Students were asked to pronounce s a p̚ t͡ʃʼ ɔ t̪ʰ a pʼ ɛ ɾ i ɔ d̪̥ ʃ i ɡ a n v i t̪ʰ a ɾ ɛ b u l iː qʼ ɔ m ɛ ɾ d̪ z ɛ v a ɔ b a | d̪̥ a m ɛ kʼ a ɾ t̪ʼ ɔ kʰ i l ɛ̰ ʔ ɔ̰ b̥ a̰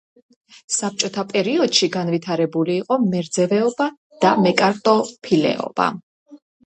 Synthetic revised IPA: s a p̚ t͡ʃʼ ɔ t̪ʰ a pʼ ɛ ɾ i ɔ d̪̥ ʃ i ɡ a n v i t̪ʰ a ɾ ɛ b u l iː qʼ ɔ m ɛ ɾ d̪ z ɛ v ɛ ɔ b a | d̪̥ a m ɛ kʼ a ɾ t̪ʼ ɔ pʰ i l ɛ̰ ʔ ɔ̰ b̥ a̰